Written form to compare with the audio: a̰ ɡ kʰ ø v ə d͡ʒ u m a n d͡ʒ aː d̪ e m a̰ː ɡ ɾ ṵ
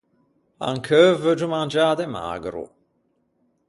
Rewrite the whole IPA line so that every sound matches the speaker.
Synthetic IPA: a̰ ŋ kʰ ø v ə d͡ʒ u m a n d͡ʒ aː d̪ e m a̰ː ɡ ɾ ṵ